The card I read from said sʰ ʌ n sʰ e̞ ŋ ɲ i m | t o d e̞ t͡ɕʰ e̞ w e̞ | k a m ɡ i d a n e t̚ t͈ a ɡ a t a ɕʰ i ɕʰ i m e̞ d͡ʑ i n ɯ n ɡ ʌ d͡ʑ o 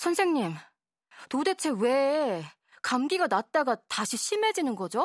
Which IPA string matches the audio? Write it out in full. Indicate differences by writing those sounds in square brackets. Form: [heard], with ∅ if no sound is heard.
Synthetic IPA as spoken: sʰ ʌ n sʰ e̞ ŋ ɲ i m | t o d e̞ t͡ɕʰ e̞ w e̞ | k a m ɡ i [ɡ] a n [a] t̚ t͈ a ɡ a t a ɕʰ i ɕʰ i m e̞ d͡ʑ i n ɯ n ɡ ʌ d͡ʑ o